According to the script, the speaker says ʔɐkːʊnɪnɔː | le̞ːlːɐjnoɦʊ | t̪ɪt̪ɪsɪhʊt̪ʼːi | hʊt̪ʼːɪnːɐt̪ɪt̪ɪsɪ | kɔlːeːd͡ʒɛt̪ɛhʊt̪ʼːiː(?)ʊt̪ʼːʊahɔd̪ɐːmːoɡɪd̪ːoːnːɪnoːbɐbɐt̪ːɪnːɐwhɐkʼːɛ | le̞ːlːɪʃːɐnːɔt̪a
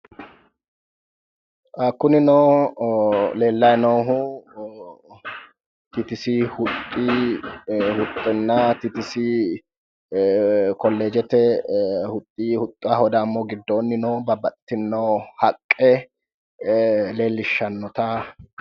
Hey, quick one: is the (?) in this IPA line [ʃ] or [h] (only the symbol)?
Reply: h